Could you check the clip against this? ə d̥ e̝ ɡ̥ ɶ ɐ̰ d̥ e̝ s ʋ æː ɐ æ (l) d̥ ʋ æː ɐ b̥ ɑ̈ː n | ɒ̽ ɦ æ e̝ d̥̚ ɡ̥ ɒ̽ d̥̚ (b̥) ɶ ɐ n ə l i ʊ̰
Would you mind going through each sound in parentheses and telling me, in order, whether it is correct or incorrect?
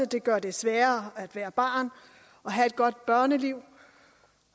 incorrect: none, correct

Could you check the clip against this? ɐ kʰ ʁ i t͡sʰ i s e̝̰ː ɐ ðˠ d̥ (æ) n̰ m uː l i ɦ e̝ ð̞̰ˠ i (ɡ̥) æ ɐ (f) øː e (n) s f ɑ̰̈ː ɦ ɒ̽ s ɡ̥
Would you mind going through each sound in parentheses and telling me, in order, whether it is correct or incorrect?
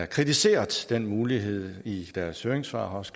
incorrect: e, incorrect: d̥, incorrect: s, incorrect: ŋ

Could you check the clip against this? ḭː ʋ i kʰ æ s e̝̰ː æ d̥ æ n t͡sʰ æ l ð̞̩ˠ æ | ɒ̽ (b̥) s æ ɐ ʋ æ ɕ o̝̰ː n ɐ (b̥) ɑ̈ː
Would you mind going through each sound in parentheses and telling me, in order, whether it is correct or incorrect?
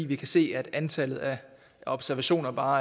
correct, correct

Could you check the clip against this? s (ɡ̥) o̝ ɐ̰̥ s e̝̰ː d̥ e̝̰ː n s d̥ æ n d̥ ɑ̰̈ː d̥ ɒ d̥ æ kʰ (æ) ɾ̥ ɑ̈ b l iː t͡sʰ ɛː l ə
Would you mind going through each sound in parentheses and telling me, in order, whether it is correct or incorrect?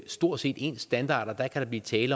incorrect: d̥, correct

